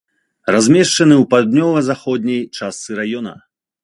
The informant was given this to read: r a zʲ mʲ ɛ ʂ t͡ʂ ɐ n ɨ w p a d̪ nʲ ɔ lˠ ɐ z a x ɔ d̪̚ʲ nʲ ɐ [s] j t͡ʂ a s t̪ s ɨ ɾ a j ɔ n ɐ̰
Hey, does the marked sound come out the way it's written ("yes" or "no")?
no